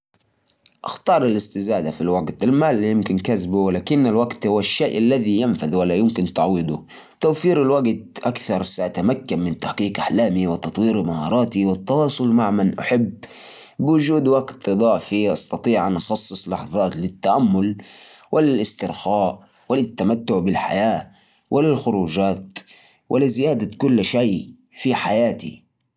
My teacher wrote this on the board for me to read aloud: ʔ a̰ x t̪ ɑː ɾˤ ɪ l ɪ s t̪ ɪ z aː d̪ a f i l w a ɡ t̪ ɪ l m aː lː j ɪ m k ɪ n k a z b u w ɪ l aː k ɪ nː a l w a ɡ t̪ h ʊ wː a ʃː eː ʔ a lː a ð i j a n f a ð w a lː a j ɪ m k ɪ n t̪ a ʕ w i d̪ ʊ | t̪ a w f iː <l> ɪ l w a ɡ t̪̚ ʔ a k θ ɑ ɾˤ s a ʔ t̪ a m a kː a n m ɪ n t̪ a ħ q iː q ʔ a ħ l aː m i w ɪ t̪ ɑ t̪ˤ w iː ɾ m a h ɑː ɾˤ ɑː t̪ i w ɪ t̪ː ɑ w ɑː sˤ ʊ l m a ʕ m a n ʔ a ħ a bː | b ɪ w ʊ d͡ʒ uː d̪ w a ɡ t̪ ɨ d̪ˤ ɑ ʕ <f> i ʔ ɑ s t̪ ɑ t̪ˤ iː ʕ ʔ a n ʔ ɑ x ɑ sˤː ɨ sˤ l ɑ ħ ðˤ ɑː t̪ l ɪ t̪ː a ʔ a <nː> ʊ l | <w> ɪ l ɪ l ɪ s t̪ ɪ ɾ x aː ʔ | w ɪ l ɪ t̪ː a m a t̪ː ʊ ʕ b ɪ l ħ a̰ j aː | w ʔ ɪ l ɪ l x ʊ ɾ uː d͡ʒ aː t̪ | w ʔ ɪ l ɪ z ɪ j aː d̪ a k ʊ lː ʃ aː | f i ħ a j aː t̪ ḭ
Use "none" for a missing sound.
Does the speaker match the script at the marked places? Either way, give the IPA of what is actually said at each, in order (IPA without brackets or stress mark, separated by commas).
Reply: ɾ, f, mː, w